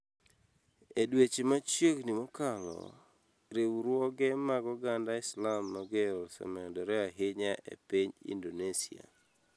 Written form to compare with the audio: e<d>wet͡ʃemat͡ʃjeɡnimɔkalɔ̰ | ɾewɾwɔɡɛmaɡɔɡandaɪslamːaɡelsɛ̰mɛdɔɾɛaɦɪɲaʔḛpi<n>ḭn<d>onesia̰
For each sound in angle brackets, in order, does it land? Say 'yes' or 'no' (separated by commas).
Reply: yes, no, yes